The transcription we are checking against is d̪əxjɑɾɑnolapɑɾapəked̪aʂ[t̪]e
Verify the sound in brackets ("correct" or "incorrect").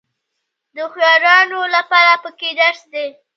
incorrect